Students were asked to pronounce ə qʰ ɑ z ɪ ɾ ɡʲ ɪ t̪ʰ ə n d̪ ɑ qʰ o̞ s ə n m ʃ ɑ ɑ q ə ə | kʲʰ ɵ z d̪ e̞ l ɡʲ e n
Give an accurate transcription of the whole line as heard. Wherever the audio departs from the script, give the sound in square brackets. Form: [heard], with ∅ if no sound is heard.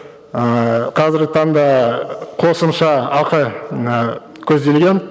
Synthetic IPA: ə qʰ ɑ z ɪ ɾ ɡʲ ɪ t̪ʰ [ɑ] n d̪ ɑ qʰ o̞ s ə [∅] m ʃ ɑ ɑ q ə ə | kʲʰ ɵ z d̪ e̞ l ɡʲ e n